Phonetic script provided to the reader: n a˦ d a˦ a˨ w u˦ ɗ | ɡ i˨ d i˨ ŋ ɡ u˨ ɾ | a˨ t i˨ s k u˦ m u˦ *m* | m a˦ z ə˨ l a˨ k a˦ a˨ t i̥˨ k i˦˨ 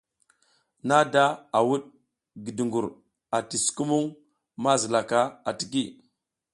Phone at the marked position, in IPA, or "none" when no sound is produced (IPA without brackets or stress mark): ŋ